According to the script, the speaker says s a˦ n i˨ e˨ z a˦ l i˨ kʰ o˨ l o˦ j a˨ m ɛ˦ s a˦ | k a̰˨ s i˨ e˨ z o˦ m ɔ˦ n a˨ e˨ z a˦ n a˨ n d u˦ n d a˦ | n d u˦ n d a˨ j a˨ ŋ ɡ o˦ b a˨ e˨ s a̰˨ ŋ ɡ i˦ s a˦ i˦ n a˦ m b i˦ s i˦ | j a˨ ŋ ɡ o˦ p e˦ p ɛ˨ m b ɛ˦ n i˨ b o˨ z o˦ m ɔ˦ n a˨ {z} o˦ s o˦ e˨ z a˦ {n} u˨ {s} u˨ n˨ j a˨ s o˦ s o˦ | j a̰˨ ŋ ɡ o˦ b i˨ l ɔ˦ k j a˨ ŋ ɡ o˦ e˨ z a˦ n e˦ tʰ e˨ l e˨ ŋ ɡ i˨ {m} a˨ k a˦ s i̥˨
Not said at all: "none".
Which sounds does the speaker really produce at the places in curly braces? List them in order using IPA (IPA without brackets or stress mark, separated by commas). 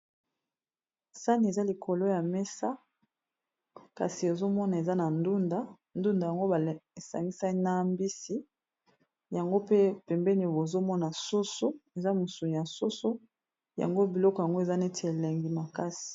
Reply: s, m, s, m